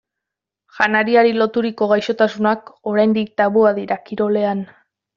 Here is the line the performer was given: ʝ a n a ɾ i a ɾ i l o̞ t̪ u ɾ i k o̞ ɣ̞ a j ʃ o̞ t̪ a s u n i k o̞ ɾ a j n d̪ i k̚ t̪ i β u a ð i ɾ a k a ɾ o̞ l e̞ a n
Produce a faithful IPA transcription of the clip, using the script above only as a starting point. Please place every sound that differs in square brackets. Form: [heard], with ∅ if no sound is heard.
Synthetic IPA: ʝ a n a ɾ i a ɾ i l o̞ t̪ u ɾ i k o̞ ɣ̞ a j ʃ o̞ t̪ a s u n [a] k o̞ ɾ a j n d̪ i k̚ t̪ [a] β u a ð i ɾ a k [i] ɾ o̞ l e̞ a n